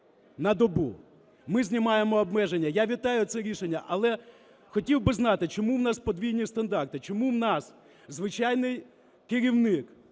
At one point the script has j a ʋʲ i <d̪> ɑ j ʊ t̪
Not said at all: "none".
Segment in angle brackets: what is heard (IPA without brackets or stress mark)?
t̪